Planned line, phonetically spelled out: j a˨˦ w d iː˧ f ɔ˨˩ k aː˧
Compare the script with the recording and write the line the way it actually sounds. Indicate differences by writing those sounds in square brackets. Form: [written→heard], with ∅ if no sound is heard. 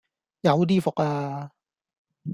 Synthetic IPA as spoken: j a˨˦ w d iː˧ f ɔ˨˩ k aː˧